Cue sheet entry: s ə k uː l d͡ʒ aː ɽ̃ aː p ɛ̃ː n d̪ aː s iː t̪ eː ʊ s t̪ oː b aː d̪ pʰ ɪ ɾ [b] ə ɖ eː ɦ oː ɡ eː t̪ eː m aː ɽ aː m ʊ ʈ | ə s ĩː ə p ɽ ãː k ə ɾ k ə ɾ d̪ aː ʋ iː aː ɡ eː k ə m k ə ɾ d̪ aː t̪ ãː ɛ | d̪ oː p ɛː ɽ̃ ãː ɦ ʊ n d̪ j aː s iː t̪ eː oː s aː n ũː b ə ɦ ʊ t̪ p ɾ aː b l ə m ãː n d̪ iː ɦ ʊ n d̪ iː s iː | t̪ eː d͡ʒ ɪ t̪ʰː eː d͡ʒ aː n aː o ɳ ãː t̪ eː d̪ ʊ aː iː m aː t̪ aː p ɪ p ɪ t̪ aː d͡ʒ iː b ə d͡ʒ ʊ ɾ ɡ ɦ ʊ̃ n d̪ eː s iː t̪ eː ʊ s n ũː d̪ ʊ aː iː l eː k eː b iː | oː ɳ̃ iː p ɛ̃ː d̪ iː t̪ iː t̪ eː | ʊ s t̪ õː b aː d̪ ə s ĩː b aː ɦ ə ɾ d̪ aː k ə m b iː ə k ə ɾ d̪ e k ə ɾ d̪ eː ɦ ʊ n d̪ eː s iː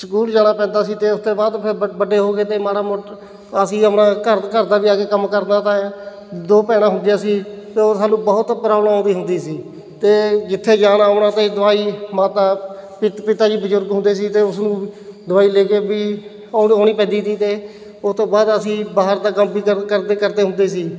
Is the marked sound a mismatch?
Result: no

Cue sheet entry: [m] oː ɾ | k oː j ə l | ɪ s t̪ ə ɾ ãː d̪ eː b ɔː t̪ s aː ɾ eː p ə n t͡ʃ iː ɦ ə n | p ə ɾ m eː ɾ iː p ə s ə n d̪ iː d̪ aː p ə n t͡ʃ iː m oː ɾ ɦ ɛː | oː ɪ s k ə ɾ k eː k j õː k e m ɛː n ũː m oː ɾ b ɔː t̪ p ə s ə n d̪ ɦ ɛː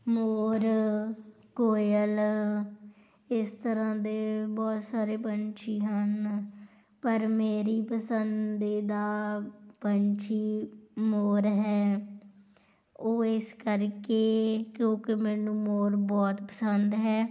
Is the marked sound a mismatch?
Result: no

